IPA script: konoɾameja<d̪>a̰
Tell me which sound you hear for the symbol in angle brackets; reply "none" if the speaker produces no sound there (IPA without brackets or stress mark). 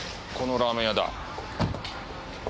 d̪